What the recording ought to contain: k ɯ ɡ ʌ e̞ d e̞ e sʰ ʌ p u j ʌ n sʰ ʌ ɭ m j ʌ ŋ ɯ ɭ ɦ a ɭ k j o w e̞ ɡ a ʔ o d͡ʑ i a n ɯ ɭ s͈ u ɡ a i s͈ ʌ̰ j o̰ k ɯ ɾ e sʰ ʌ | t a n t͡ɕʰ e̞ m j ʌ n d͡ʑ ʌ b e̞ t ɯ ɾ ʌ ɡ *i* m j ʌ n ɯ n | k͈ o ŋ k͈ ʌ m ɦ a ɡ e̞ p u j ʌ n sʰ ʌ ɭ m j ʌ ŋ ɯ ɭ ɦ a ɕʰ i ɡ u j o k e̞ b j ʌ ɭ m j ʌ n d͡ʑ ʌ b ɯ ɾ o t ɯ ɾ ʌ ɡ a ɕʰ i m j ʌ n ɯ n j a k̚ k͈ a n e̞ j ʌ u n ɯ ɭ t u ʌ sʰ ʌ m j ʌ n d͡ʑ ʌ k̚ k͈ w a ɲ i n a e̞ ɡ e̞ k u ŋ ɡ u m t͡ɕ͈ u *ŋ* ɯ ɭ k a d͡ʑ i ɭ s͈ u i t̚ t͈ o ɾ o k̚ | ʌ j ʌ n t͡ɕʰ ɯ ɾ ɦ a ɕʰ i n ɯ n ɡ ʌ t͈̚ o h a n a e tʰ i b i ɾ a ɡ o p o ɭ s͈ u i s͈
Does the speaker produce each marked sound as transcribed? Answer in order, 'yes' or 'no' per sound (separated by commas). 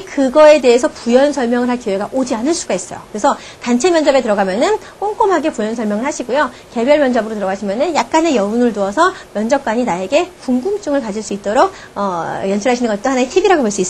no, yes